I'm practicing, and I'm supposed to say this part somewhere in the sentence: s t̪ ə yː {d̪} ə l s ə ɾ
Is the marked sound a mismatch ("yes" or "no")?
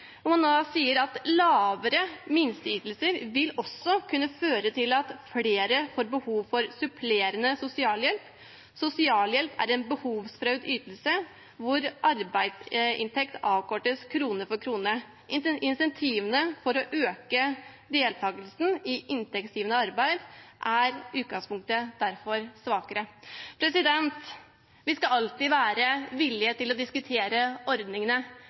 yes